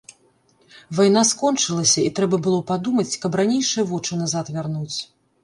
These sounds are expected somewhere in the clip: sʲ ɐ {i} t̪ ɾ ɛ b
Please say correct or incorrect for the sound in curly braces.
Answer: correct